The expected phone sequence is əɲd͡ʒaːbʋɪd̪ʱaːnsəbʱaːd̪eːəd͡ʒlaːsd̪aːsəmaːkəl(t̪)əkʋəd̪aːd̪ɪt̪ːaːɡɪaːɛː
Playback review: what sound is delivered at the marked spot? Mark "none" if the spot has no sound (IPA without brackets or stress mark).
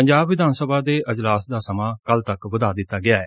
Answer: t̪